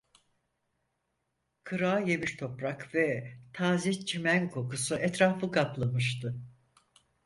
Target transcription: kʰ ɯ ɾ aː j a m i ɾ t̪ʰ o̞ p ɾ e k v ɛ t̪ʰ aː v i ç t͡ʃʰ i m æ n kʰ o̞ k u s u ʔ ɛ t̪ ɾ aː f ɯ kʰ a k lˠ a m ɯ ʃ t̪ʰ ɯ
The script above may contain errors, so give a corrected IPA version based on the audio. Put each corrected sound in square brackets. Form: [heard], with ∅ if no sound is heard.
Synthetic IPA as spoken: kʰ ɯ ɾ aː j [e] m i ɾ t̪ʰ o̞ p ɾ [a] k v ɛ t̪ʰ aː [z] i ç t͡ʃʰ i m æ n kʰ o̞ k u s u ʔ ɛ t̪ ɾ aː f ɯ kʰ a [p] lˠ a m ɯ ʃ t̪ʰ ɯ